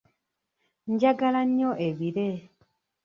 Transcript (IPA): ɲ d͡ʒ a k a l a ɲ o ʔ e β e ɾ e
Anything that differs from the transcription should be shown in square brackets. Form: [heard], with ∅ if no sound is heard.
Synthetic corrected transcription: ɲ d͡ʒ a [ɡ] a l a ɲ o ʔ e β [i] ɾ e